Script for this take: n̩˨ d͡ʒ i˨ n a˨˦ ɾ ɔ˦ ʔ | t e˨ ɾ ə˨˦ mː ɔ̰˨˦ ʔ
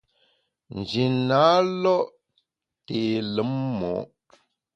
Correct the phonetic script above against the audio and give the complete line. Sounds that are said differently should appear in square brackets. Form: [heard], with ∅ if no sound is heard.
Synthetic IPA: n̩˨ d͡ʒ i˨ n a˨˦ [l] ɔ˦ ʔ | t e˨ [l] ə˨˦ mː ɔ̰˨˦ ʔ